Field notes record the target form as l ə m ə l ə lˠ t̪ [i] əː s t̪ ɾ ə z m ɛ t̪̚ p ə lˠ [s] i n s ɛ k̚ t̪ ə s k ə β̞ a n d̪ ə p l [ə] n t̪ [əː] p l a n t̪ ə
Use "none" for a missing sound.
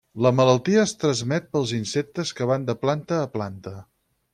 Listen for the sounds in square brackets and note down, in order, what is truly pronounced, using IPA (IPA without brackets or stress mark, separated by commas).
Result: i, z, a, əː